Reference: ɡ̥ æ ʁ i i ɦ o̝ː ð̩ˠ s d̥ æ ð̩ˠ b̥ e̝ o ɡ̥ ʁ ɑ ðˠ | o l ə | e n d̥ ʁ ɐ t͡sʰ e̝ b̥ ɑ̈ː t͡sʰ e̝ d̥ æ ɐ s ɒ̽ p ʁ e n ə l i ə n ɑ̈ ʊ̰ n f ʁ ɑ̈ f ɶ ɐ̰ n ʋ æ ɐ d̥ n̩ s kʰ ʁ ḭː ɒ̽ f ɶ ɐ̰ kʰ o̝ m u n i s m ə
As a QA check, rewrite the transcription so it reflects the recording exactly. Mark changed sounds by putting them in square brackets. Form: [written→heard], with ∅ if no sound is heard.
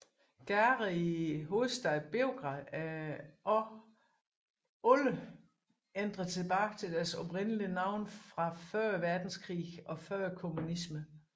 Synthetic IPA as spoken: ɡ̥ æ ʁ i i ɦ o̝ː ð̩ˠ s d̥ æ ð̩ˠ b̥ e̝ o ɡ̥ ʁ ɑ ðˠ | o l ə | e n d̥ ʁ ɐ t͡sʰ e̝ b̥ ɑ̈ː t͡sʰ e̝ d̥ æ ɐ s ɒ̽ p ʁ e n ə l i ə n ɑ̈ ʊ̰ n f ʁ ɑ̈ f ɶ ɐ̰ [n→∅] ʋ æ ɐ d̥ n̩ s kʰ ʁ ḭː ɒ̽ f ɶ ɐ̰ kʰ o̝ m u n i s m ə